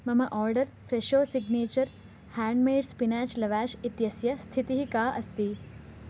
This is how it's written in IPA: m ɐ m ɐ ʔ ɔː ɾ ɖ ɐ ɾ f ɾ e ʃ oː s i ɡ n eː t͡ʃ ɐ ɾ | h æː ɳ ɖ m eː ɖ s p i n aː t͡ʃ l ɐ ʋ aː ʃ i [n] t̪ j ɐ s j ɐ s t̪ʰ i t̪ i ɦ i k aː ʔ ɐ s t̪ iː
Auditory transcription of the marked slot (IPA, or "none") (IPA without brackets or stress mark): none